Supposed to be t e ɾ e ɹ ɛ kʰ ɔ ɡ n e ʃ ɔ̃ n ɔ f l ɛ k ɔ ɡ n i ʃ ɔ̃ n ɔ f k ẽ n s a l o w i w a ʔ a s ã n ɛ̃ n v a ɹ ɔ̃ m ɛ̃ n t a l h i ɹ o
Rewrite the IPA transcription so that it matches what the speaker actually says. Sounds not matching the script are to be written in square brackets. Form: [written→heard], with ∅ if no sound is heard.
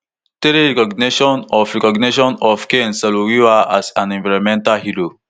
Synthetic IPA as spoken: t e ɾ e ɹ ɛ [kʰ→k] ɔ ɡ n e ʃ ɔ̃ n ɔ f [l→ɹ] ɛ k ɔ ɡ n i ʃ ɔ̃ n ɔ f k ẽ n s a l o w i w a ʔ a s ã n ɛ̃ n v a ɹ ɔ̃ m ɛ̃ n t a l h i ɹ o